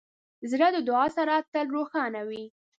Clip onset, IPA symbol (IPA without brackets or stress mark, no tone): z